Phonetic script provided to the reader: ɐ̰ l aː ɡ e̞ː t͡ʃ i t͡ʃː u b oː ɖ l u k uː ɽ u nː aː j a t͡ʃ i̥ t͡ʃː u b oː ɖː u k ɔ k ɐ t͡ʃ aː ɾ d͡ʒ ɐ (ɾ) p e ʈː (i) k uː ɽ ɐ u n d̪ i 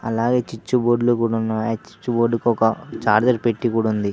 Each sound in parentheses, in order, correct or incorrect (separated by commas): correct, correct